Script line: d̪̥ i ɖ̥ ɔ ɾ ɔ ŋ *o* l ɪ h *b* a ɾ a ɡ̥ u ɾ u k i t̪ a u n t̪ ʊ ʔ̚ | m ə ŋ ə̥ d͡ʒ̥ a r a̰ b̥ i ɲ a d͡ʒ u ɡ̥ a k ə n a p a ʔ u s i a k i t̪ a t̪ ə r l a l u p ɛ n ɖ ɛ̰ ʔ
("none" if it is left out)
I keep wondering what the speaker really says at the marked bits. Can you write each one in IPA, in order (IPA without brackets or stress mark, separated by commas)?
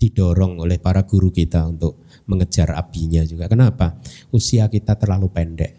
o, p